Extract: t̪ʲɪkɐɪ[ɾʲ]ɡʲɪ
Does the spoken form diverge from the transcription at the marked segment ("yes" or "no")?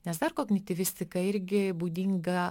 no